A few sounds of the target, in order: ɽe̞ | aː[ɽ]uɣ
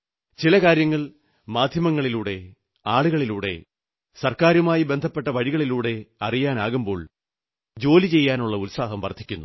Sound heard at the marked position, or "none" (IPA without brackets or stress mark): ɭ